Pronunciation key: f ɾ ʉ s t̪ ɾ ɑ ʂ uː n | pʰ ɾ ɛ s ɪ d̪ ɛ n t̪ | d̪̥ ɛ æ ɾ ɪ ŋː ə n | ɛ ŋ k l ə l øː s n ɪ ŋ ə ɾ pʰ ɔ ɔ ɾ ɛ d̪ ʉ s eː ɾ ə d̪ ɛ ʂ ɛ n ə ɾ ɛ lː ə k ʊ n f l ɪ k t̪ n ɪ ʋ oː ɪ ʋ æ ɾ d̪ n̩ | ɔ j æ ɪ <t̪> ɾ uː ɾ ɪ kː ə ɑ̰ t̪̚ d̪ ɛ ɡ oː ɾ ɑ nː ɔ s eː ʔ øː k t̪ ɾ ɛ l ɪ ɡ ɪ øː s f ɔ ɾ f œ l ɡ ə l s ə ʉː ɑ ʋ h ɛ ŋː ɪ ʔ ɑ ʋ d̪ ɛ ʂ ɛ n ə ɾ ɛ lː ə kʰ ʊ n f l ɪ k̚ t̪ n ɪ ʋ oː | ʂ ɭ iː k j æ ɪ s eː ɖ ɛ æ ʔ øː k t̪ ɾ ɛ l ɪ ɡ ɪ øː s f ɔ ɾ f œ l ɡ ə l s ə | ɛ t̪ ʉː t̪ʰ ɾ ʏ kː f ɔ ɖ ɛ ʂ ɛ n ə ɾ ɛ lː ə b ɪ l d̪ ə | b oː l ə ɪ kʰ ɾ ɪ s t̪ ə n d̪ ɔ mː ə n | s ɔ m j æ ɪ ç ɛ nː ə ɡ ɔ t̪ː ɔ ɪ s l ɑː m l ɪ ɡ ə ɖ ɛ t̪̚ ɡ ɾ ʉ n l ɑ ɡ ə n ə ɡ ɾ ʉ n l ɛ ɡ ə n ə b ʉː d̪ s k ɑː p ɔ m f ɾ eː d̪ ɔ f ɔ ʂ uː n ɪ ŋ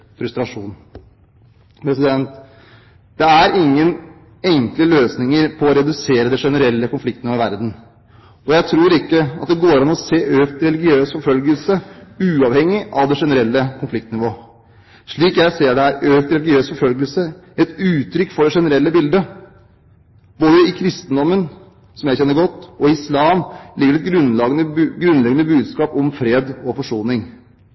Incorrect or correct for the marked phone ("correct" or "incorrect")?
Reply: incorrect